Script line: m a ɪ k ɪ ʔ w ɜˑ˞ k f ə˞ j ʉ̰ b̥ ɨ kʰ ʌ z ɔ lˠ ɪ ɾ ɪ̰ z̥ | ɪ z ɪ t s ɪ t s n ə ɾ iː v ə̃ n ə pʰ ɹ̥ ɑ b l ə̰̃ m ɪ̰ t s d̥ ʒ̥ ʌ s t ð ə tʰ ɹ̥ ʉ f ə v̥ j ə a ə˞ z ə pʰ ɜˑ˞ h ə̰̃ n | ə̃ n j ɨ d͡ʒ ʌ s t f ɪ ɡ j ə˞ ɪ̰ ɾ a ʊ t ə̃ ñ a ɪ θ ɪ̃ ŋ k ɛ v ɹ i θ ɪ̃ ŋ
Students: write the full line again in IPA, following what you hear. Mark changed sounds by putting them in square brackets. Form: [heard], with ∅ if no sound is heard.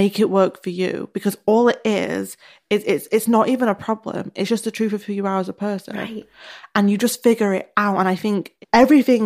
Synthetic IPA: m [e] ɪ k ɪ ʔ w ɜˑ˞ k f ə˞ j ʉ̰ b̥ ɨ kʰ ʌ z ɔ lˠ ɪ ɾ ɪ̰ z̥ | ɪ z ɪ t s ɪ t s n ə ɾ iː v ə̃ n ə pʰ ɹ̥ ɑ b l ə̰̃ m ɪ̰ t s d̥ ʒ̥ ʌ s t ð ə tʰ ɹ̥ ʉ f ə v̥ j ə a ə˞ z ə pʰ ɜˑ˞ [s] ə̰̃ n | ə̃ n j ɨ d͡ʒ ʌ s t f ɪ ɡ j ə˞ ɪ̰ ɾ a ʊ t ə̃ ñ a ɪ θ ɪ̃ ŋ k ɛ v ɹ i θ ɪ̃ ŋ